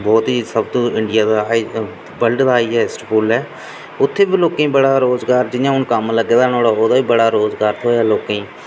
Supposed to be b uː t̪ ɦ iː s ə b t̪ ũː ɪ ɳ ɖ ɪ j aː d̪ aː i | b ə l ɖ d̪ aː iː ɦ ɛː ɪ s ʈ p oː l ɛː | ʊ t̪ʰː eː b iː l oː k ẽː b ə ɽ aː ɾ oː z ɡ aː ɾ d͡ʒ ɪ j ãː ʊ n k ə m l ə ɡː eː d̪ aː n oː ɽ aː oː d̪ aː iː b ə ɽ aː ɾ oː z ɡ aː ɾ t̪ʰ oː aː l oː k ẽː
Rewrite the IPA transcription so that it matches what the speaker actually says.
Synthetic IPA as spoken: b ɔː t̪ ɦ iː s ə b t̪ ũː ɪ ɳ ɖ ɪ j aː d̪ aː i | b ə l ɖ d̪ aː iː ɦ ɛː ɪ s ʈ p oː l ɛː | ʊ t̪ʰː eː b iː l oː k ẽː b ə ɽ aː ɾ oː z ɡ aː ɾ d͡ʒ ɪ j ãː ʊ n k ə m l ə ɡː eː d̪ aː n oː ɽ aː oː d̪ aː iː b ə ɽ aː ɾ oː z ɡ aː ɾ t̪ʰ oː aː l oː k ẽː